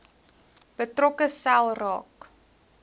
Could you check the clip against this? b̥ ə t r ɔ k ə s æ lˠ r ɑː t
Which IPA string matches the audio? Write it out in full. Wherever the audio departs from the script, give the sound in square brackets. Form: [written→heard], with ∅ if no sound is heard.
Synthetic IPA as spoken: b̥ ə t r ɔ k ə s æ lˠ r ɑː [t→k]